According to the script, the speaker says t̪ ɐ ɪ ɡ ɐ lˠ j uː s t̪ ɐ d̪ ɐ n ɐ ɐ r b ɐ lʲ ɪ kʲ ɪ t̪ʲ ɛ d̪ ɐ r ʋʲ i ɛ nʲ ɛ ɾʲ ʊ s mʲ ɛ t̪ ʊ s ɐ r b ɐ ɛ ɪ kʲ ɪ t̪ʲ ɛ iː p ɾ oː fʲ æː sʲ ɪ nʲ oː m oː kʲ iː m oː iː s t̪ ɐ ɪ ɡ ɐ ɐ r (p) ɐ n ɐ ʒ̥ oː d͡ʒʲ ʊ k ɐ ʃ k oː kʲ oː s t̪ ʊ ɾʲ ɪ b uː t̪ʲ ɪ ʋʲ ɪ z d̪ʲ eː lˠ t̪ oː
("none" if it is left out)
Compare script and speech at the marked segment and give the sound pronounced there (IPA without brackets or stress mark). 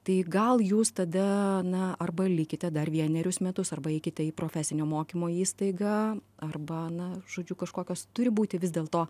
b